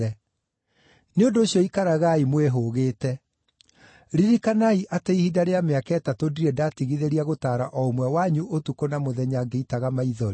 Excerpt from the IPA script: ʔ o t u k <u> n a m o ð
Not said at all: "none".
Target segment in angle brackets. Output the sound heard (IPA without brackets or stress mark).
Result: o